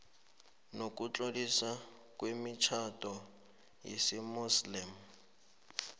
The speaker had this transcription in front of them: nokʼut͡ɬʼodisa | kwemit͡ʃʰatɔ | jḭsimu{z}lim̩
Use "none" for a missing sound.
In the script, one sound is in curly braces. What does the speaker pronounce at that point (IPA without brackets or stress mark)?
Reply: s